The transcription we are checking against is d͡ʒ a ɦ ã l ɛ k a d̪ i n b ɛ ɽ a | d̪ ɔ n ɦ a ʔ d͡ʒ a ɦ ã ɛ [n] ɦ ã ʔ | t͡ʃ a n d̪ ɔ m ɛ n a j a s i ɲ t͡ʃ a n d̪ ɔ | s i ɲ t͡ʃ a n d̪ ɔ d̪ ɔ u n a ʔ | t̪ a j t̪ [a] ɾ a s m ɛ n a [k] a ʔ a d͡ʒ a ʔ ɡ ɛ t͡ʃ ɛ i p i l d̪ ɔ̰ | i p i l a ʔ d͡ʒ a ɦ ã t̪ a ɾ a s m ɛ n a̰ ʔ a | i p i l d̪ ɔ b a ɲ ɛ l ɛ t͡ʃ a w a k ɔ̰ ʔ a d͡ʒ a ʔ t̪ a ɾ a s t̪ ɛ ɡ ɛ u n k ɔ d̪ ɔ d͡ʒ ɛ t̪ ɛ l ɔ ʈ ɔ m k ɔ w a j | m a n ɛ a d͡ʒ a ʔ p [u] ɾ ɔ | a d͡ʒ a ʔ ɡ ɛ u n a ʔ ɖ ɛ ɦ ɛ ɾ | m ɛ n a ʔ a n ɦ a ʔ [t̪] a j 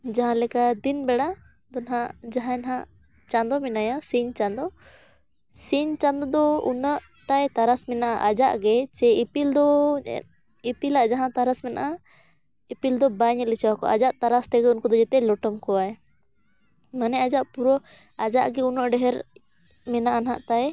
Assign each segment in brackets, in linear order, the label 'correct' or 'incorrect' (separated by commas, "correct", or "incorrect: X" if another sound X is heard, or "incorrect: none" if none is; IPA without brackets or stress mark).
correct, correct, incorrect: ʔ, correct, correct